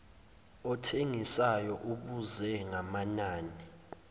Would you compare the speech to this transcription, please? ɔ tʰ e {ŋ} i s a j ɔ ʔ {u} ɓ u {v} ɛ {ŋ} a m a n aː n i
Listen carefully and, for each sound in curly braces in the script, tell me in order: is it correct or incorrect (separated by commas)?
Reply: correct, correct, incorrect, correct